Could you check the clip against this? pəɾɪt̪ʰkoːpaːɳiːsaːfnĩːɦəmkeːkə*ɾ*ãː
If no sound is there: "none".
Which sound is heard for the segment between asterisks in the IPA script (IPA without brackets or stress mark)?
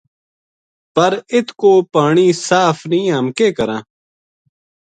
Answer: ɾ